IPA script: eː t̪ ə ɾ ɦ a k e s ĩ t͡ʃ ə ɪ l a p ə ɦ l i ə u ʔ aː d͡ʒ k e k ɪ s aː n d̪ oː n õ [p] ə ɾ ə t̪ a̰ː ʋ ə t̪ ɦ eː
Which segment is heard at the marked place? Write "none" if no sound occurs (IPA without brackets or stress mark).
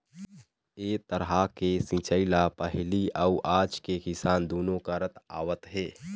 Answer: k